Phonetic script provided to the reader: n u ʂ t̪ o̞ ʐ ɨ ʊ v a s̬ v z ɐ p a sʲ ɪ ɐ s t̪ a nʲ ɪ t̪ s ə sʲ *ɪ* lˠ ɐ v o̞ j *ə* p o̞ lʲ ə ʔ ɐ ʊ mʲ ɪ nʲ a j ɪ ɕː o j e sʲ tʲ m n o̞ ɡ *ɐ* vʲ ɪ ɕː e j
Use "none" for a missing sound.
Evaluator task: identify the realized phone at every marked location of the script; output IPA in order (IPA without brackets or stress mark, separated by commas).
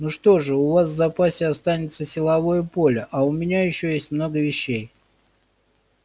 ɪ, ə, ə